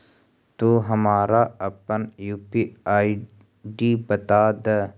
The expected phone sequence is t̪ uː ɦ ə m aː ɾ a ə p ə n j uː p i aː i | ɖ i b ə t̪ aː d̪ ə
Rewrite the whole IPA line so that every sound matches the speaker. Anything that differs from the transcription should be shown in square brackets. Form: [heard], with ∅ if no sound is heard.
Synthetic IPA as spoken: t̪ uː ɦ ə m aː ɾ a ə p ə n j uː p i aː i | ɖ i b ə t̪ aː d̪ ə